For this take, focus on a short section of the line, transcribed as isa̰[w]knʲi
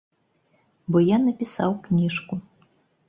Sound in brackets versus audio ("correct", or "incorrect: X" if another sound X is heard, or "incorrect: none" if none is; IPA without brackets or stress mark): correct